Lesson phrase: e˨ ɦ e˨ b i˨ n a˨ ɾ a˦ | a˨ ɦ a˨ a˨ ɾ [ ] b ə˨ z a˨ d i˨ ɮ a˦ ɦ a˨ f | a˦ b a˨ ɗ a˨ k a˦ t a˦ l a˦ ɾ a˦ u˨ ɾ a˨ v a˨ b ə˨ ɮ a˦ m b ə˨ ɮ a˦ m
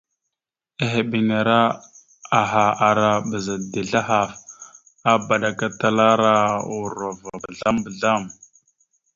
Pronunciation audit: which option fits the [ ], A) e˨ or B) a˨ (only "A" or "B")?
B